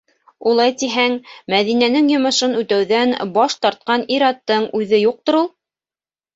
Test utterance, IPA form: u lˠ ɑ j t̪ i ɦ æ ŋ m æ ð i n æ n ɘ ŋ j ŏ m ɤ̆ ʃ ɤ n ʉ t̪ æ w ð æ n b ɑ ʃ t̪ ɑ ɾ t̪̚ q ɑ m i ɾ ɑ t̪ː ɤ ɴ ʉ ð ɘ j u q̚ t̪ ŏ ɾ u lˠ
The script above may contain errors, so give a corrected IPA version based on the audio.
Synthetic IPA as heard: u lˠ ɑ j t̪ i ɦ æ ŋ m æ ð i n æ n ɘ ŋ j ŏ m ɤ̆ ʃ ɤ n ʉ t̪ æ w ð æ n b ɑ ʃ t̪ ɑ ɾ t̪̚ q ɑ n i ɾ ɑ t̪ː ɤ ɴ ʉ ð ɘ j u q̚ t̪ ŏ ɾ u lˠ